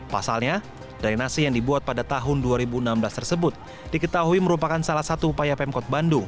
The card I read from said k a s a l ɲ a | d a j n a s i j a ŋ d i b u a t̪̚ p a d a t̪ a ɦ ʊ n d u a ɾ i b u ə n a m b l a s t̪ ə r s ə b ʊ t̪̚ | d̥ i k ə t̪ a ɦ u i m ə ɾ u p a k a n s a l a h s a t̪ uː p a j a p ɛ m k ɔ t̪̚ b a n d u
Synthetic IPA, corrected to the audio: p a s a l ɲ a | d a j n a s i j a ŋ d i b u a t̪̚ p a d a t̪ a ɦ ʊ n d u a ɾ i b u ə n a m b l a s t̪ ə r s ə b ʊ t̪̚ | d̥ i k ə t̪ a ɦ u i m ə ɾ u p a k a n s a l a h s a t̪ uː p a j a p ɛ m k ɔ t̪̚ b a n d u